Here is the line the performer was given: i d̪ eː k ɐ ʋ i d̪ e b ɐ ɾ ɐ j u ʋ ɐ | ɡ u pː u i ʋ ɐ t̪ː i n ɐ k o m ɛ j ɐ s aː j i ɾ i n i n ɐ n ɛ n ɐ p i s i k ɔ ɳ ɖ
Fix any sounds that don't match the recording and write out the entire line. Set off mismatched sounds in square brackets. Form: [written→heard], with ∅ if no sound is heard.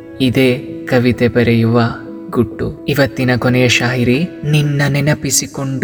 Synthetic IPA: i d̪ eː k ɐ ʋ i [d̪→t̪] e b ɐ ɾ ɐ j u ʋ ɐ | ɡ u [pː→ʈː] u i ʋ ɐ t̪ː i n ɐ k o [m→n] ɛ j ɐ [s→ʃ] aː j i ɾ i n i [n→nː] ɐ n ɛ n ɐ p i s i k [ɔ→o] ɳ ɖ